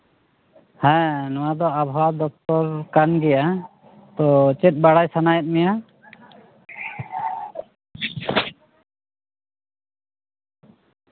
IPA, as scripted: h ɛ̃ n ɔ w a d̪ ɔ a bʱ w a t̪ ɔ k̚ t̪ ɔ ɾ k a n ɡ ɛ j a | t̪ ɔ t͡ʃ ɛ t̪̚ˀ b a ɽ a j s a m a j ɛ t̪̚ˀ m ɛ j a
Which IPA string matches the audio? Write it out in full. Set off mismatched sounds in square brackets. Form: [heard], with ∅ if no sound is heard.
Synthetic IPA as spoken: h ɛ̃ n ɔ w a d̪ ɔ a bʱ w a [d̪] ɔ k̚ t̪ ɔ ɾ k a n ɡ ɛ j a | t̪ ɔ t͡ʃ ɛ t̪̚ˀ b a ɽ a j s a [n] a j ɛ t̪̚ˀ m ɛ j a